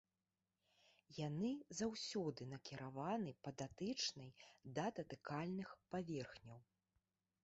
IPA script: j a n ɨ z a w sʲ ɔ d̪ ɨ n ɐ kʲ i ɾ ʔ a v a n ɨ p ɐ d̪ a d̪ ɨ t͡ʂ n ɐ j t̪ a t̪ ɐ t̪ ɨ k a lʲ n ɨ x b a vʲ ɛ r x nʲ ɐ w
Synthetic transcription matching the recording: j a n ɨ z a w sʲ ɔ d̪ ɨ n ɐ kʲ i ɾ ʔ a v a n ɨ p ɐ d̪ a t̪ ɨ t͡ʂ n ɐ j d̪ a t̪ ɐ t̪ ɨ k a lʲ n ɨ x p a vʲ ɛ r x nʲ ɐ w